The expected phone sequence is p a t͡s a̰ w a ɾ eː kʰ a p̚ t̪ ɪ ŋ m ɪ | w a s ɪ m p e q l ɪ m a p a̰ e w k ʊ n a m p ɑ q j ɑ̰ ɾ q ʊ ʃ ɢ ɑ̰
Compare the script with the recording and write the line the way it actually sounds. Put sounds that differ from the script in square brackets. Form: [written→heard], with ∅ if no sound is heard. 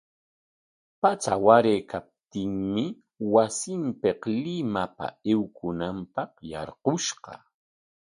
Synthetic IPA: p a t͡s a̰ w a ɾ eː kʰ a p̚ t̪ ɪ ŋ m ɪ | w a s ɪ m p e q l ɪ m a p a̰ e w k ʊ n a m p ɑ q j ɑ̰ ɾ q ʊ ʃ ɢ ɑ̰

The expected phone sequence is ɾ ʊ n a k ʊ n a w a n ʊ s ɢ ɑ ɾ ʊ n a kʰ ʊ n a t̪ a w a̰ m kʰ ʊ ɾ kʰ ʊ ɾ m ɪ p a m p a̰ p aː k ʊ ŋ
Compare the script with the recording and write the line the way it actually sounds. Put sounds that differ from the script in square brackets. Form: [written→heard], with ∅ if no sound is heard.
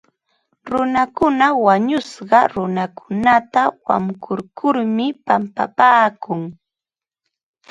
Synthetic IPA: ɾ ʊ n a k ʊ n a w a [n→ɲ] ʊ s ɢ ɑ ɾ ʊ n a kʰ ʊ n a t̪ a w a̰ m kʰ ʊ ɾ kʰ ʊ ɾ m ɪ p a m p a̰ p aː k ʊ ŋ

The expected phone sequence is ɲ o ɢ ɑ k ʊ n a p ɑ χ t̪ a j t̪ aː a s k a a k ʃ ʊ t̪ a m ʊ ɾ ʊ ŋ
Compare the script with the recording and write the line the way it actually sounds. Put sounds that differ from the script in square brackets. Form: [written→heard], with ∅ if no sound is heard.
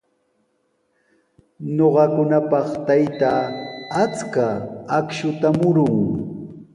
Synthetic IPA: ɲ o ɢ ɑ k ʊ n a p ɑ χ t̪ a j t̪ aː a [s→t͡s] k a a k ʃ ʊ t̪ a m ʊ ɾ ʊ ŋ

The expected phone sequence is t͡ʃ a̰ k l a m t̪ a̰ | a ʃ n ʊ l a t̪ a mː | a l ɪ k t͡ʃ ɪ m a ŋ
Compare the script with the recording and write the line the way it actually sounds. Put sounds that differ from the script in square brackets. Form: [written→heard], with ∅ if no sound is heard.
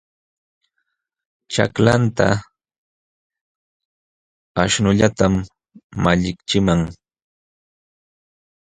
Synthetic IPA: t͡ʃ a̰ k l a [m→n] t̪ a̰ | a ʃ n ʊ [l→ʎ] a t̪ a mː | a [l→ʎ] ɪ k t͡ʃ ɪ m a ŋ

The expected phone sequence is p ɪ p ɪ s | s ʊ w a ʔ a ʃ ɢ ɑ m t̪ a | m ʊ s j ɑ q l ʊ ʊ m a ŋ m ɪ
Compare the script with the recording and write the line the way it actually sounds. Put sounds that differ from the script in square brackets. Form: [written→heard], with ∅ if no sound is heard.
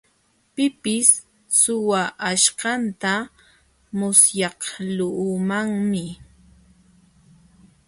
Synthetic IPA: p ɪ p ɪ s | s ʊ w a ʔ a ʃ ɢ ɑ [m→n] t̪ a | m ʊ s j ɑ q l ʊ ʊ m a ŋ m ɪ

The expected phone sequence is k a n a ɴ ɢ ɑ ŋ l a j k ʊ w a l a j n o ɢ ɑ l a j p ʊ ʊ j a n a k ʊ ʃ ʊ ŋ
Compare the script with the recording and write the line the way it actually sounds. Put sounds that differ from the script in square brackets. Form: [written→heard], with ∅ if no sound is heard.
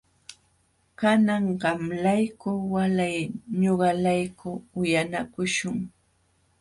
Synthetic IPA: k a n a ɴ ɢ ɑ [ŋ→m] l a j k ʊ w a l a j [n→ɲ] o ɢ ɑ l a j [p→k] ʊ ʊ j a n a k ʊ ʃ ʊ ŋ

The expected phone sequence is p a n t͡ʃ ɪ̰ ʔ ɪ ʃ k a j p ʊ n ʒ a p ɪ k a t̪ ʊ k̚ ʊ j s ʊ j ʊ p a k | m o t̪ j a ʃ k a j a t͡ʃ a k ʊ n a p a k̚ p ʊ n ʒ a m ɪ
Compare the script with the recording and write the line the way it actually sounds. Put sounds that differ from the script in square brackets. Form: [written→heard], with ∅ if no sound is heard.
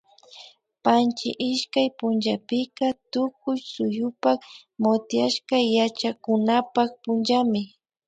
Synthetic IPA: p a n t͡ʃ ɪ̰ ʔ ɪ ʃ k a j p ʊ n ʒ a p ɪ k a t̪ ʊ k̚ ʊ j s ʊ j ʊ p a k | m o t̪ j a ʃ k a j a t͡ʃ a k ʊ n a p a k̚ p ʊ n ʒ a m ɪ

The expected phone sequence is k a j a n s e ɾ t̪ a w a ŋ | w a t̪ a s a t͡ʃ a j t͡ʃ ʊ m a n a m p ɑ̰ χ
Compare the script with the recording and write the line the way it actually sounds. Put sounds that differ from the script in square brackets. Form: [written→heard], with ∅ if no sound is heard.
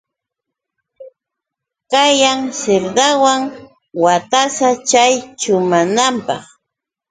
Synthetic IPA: k a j a [n→ŋ] s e ɾ [t̪→d̪] a w a ŋ | w a t̪ a s a t͡ʃ a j t͡ʃ ʊ m a n a m p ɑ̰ χ

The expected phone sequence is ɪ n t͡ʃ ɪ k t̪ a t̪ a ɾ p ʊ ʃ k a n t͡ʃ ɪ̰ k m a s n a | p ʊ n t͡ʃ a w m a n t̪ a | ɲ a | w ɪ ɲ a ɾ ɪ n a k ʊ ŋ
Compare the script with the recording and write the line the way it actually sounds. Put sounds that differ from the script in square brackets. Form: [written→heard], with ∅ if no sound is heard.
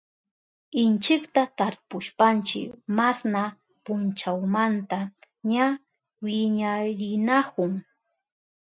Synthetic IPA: ɪ n t͡ʃ ɪ k t̪ a t̪ a ɾ p ʊ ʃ [k→p] a n t͡ʃ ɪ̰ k m a s n a | p ʊ n t͡ʃ a w m a n t̪ a | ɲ a | w ɪ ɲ a ɾ ɪ n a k ʊ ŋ

